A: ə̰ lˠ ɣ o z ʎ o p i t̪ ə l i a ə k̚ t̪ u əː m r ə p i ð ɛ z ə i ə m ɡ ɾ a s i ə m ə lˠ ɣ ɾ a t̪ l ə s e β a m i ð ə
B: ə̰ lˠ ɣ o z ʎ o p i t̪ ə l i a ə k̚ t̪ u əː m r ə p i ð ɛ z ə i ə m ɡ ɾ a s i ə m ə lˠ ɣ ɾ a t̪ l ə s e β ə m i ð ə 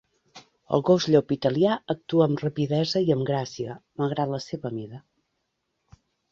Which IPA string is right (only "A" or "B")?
B